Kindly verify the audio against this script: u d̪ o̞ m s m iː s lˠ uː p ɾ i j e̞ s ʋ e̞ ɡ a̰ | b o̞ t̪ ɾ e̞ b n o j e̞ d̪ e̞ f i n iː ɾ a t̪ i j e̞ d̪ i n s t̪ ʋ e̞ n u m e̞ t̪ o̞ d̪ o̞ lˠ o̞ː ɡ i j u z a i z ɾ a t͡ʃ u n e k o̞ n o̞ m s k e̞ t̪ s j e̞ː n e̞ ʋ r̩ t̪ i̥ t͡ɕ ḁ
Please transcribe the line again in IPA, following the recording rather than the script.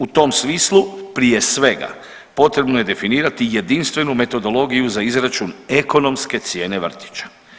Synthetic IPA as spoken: u t̪ o̞ m s m iː s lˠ u p ɾ i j e̞ s ʋ e̞ ɡ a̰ | p o̞ t̪ ɾ e̞ b n o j e̞ d̪ e̞ f i n iː ɾ a t̪ i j e̞ d̪ i n s t̪ ʋ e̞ n u m e̞ t̪ o̞ d̪ o̞ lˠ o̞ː ɡ i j u z a i z ɾ a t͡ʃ u n e k o̞ n o̞ m s k e̞ t̪ s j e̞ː n e̞ ʋ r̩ t̪ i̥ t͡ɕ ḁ